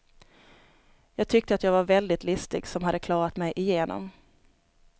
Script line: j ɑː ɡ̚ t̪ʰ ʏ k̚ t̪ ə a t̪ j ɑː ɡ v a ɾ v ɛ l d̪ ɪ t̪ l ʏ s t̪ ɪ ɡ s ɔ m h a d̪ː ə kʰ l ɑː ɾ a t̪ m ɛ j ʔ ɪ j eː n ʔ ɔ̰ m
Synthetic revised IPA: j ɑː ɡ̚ t̪ʰ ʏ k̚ t̪ ə a t̪ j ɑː ɡ v a ɾ v ɛ l d̪ ɪ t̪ l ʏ s t̪ ɪ ɡ s ɔ m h a d̪ː ə kʰ l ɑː ɾ a t̪ m ɛ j ʔ ɪ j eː n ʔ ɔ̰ m